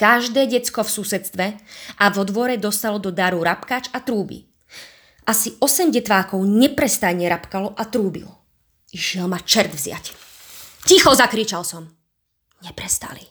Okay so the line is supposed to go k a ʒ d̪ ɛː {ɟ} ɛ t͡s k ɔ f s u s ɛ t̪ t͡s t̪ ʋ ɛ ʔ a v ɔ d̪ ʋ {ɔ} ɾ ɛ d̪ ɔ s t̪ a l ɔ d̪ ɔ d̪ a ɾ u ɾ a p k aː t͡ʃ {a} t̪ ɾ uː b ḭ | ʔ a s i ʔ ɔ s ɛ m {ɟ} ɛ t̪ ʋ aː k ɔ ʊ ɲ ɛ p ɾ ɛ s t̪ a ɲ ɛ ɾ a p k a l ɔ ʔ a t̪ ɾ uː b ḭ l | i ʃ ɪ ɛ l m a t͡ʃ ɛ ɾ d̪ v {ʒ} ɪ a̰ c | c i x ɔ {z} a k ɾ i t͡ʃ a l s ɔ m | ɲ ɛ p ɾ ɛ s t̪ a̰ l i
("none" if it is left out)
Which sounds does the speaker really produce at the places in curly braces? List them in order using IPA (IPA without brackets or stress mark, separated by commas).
ɟ, ɔ, a, ɟ, z, z